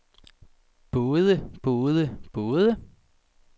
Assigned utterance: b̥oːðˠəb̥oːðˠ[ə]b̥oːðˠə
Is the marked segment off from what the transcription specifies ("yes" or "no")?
no